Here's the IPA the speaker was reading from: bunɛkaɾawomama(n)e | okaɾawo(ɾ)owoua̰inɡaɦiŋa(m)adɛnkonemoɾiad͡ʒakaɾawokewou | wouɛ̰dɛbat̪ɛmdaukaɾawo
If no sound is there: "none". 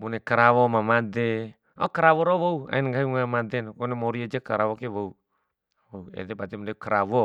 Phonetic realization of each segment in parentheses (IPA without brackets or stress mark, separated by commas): d, ɾ, m